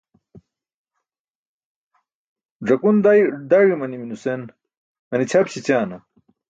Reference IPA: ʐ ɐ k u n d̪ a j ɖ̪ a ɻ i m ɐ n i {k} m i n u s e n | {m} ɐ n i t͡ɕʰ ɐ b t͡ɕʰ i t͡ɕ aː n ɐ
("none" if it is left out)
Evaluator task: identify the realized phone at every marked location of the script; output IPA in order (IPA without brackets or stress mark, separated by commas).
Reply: none, m